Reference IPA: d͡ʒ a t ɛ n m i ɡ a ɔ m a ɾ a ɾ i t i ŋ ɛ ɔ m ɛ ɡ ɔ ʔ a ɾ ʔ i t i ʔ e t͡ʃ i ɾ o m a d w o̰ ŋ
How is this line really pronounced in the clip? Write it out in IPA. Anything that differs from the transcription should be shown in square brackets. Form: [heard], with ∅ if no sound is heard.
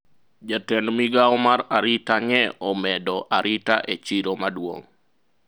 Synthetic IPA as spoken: d͡ʒ a t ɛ n m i ɡ a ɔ m a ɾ a ɾ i t [a] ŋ ɛ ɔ m ɛ [d] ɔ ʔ a ɾ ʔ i t [a] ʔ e t͡ʃ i ɾ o m a d w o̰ ŋ